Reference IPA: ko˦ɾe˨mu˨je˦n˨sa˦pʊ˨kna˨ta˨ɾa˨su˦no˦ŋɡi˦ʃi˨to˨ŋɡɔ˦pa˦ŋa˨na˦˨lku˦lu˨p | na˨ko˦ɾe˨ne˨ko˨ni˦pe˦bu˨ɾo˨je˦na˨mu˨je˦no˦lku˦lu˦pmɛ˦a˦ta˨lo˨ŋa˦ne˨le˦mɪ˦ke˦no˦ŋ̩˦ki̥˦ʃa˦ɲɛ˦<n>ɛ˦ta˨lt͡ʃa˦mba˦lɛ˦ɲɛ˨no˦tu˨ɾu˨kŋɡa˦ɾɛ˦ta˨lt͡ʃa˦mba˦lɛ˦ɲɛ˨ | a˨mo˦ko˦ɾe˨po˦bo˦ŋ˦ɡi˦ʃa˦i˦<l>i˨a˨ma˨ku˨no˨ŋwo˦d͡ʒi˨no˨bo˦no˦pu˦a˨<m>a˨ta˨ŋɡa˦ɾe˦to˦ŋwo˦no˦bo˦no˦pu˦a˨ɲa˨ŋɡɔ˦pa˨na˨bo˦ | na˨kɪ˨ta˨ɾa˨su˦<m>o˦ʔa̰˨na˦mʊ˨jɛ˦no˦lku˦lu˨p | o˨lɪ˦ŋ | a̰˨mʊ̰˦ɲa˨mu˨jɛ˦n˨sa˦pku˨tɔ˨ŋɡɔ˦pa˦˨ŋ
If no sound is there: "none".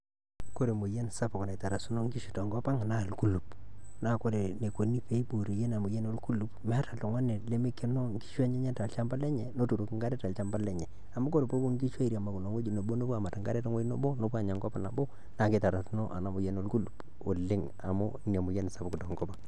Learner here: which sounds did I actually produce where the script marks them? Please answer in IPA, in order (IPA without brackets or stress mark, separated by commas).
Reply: ɲ, ɾ, m, n